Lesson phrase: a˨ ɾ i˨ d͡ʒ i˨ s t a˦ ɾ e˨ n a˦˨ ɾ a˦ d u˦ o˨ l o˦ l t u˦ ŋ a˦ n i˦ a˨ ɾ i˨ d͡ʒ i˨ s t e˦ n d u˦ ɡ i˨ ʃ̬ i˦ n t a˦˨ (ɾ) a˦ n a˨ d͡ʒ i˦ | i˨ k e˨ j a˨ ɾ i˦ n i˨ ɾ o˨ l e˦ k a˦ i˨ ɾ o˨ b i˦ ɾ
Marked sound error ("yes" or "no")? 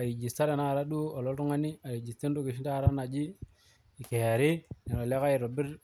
no